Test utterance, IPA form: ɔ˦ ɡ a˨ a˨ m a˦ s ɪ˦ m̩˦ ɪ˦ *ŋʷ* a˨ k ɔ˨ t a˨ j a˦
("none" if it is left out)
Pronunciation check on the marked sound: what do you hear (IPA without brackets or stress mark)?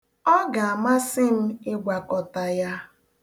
ɡʷ